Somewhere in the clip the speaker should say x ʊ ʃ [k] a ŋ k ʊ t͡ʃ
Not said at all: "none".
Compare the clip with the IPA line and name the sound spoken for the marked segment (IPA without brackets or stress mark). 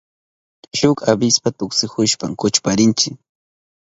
p